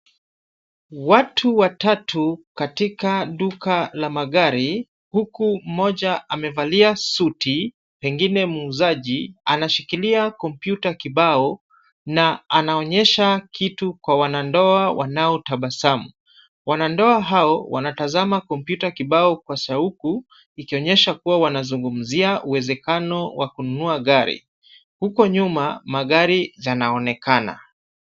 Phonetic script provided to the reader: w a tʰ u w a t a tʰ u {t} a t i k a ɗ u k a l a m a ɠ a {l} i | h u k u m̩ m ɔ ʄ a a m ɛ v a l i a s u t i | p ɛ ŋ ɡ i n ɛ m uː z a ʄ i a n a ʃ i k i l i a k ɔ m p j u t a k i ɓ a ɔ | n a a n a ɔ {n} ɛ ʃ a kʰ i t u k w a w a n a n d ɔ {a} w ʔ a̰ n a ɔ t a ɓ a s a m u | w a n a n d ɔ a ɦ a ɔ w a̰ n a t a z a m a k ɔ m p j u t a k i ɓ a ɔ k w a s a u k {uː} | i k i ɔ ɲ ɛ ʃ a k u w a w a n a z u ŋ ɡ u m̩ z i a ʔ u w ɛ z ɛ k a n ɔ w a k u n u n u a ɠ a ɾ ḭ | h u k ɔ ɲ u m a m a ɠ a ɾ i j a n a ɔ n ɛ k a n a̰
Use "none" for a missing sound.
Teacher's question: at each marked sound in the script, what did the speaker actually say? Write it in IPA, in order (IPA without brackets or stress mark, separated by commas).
k, ɾ, ɲ, a, u